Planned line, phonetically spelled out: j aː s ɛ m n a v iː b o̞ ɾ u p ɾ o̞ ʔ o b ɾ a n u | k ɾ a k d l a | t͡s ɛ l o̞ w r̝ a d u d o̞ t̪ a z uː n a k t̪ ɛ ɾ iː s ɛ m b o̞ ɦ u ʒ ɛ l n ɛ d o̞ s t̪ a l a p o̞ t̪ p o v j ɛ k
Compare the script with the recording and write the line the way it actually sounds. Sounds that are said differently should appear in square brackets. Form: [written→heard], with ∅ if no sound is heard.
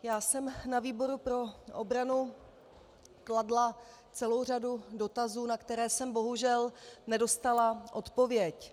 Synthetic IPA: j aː s ɛ m n a v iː b o̞ ɾ u p ɾ o̞ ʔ o b ɾ a n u | k [ɾ→l] a [k→∅] d l a | t͡s ɛ l o̞ w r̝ a d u d o̞ t̪ a z uː n a k t̪ ɛ ɾ [iː→ɛː] s ɛ m b o̞ ɦ u ʒ ɛ l n ɛ d o̞ s t̪ a l a [p→ʔ] o̞ t̪ p o v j ɛ [k→c]

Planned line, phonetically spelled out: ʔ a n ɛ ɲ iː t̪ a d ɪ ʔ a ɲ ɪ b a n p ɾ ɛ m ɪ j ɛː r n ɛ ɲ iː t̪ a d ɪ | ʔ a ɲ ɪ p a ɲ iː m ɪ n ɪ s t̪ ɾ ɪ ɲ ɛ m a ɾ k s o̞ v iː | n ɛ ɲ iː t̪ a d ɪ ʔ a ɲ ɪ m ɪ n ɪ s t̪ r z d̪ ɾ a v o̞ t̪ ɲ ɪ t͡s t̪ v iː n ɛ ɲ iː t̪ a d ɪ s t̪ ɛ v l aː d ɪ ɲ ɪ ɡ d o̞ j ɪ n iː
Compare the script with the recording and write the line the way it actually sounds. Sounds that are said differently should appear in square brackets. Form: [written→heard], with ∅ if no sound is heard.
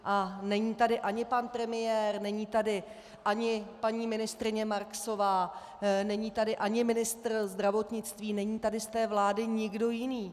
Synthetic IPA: ʔ a n ɛ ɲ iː t̪ a d ɪ ʔ a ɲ ɪ [b→p] a n p ɾ ɛ m ɪ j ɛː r n ɛ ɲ iː t̪ a d ɪ | ʔ a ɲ ɪ p a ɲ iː m ɪ n ɪ s t̪ ɾ ɪ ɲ ɛ m a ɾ k s o̞ v [iː→aː] | n ɛ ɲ iː t̪ a d ɪ ʔ a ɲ ɪ m ɪ n ɪ s t̪ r z d̪ ɾ a v o̞ t̪ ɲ ɪ t͡s t̪ v iː n ɛ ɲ iː t̪ a d ɪ s t̪ [ɛ→ɛː] v l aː d ɪ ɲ ɪ ɡ d o̞ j ɪ n iː

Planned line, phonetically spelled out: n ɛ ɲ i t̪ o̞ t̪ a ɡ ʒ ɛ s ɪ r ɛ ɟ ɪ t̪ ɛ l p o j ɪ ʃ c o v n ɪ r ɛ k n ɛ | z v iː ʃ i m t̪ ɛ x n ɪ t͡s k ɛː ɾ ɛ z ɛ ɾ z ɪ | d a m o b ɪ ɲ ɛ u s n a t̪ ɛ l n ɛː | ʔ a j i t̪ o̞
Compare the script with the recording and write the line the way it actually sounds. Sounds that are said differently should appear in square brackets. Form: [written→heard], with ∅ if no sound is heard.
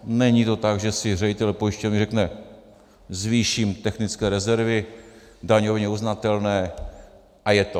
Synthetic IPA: n ɛ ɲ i t̪ o̞ t̪ a ɡ ʒ ɛ s ɪ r ɛ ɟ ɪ t̪ ɛ l p o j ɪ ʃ c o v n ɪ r ɛ k n ɛ | z v iː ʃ i m t̪ ɛ x n ɪ t͡s k ɛː ɾ ɛ z ɛ ɾ [z→v] ɪ | d a [m→ɲ] o [b→v] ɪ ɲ ɛ u [s→z] n a t̪ ɛ l n ɛː | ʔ a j [i→ɛ] t̪ o̞

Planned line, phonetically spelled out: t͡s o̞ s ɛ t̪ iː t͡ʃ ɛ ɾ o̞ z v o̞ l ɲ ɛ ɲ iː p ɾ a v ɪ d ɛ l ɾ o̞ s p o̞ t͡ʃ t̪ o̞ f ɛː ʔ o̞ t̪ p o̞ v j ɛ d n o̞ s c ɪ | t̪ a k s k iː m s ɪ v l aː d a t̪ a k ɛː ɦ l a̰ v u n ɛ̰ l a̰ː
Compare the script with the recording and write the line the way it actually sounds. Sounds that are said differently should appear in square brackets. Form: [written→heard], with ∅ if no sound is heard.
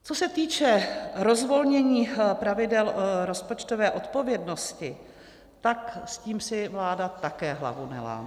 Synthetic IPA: t͡s o̞ s ɛ t̪ iː t͡ʃ ɛ ɾ o̞ z v o̞ l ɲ ɛ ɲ iː p ɾ a v ɪ d ɛ l ɾ o̞ s p o̞ t͡ʃ t̪ o̞ [f→v] ɛː ʔ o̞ t̪ p o̞ v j ɛ d n o̞ s c ɪ | t̪ a k s [k→c] iː m s ɪ v l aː d a t̪ a k ɛː ɦ l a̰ v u n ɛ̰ l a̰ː

